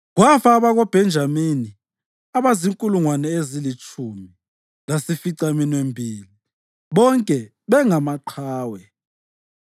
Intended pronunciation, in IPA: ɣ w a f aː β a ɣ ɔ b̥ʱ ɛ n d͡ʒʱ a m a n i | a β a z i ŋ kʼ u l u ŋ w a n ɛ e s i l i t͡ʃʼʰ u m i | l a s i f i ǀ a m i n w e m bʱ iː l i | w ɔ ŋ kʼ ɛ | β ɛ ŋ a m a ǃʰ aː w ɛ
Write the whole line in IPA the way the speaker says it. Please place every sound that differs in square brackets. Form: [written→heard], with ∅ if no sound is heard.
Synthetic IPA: ɣ w a f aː β a ɣ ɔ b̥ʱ ɛ n d͡ʒʱ a m [a→i] n i | a β a z i ŋ kʼ u l u ŋ w a n ɛ e [s→z] i l i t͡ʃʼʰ u m i | l a s i f i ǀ a m i n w e m bʱ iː l i | [w→β] ɔ ŋ kʼ ɛ | β ɛ ŋ a m a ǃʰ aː w ɛ